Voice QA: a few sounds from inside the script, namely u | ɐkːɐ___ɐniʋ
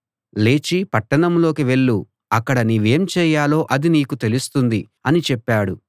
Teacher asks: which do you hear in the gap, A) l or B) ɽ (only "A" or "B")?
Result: B